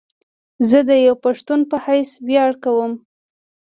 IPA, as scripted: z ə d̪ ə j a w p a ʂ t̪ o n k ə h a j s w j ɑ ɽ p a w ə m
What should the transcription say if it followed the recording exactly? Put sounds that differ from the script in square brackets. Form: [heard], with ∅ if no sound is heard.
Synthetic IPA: z ə d̪ ə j a w p a ʂ t̪ [u] n [p] ə h a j s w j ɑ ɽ [k] a w ə m